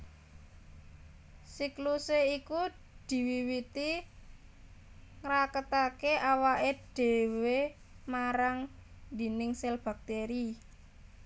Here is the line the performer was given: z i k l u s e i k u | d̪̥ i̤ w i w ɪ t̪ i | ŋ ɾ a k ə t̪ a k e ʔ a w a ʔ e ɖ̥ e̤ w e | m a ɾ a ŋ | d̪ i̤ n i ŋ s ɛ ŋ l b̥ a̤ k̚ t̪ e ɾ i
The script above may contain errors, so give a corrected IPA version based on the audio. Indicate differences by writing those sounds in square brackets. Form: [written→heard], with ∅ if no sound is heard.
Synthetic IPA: [z→s] i k l u s e i k u | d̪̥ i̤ w i w [ɪ→i] t̪ i | ŋ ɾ a k ə t̪ a k e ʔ a w a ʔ e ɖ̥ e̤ w e | m a ɾ a ŋ | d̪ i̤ n [i→ɪ] ŋ s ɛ [ŋ→∅] l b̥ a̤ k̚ t̪ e ɾ i